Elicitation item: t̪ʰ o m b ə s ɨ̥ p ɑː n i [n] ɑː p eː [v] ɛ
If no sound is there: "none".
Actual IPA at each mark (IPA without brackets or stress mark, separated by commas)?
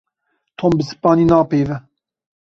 n, v